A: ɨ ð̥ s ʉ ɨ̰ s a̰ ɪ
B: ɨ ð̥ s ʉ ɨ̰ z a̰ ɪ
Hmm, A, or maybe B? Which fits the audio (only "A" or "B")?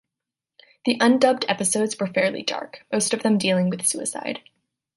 A